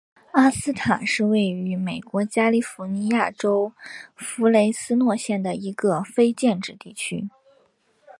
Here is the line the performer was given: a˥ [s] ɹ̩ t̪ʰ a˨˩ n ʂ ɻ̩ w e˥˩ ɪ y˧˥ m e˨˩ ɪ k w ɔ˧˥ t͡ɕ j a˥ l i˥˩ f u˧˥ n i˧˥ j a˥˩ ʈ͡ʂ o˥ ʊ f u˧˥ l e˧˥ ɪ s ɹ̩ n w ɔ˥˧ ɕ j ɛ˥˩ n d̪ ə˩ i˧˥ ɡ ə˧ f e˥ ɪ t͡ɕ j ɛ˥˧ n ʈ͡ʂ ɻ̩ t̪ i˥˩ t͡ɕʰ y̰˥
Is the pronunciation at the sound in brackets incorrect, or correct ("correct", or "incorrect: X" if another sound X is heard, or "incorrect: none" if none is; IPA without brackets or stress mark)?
correct